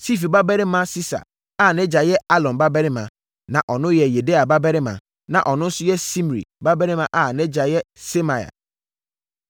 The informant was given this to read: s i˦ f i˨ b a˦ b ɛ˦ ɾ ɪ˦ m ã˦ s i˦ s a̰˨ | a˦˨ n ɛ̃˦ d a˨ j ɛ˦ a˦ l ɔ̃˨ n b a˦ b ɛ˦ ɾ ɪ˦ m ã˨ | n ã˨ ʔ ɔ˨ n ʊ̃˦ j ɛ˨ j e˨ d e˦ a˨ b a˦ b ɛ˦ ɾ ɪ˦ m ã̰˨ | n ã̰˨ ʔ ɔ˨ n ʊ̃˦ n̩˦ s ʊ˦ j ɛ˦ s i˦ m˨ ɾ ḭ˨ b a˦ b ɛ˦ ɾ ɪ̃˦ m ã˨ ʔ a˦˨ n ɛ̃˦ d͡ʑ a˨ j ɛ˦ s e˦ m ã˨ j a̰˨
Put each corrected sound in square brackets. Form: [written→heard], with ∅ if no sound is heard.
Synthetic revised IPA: s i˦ f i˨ b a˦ b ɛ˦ ɾ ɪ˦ m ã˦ s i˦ s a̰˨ | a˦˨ n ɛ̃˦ [d→d͡ʑ] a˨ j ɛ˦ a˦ l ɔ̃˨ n b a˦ b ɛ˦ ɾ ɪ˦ m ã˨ | n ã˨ ʔ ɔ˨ n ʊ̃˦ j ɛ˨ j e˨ d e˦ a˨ b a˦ b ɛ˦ ɾ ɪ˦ m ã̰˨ | n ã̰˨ ʔ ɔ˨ n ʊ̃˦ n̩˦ s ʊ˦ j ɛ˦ s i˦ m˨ ɾ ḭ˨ b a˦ b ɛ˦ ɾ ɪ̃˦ m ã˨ ʔ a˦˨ n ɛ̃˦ d͡ʑ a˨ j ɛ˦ s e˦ m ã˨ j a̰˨